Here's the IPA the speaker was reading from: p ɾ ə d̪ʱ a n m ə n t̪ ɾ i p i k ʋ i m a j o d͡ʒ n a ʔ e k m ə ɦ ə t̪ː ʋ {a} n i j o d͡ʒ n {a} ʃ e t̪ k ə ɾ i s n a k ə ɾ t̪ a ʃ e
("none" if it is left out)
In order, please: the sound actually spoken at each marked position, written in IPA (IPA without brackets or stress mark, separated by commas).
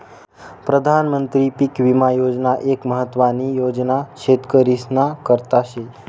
a, a